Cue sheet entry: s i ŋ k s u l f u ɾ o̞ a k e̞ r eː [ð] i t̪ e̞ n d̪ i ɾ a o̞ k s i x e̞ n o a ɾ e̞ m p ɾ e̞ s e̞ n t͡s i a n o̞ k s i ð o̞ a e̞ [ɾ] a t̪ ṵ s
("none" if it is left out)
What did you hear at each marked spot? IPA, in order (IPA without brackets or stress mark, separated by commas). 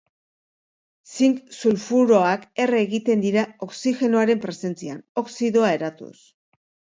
ɣ, ɾ